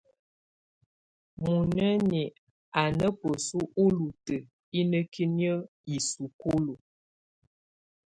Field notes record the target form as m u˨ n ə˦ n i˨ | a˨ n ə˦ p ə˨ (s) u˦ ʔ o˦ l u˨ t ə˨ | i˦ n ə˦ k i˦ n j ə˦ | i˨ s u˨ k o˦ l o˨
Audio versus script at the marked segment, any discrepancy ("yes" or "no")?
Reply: no